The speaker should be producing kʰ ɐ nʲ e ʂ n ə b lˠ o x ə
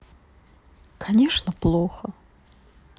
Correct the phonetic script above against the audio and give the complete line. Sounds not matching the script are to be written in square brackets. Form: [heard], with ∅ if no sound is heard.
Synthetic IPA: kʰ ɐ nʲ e ʂ n ə [p] lˠ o x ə